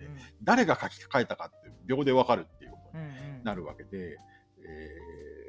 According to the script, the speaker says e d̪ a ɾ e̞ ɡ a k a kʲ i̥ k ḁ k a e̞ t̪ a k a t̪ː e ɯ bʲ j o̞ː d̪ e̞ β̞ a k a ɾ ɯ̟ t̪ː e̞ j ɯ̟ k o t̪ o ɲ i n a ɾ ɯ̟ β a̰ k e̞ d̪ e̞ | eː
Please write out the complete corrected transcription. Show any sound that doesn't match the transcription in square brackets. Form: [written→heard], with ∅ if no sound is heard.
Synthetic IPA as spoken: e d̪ a ɾ e̞ ɡ a k a kʲ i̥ k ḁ k a e̞ t̪ a k a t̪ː e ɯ bʲ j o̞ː d̪ e̞ β̞ a k a ɾ ɯ̟ t̪ː e̞ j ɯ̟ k o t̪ o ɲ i n a ɾ ɯ̟ β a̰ k e̞ d̪ e̞ | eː